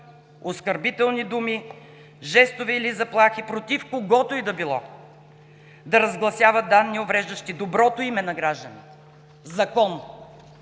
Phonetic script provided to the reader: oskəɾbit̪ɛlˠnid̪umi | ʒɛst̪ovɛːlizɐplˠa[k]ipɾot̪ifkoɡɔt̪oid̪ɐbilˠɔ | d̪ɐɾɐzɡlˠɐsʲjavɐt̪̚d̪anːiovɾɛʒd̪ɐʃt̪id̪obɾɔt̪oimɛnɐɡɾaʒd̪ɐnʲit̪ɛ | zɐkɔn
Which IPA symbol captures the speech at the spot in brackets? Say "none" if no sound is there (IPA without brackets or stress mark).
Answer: x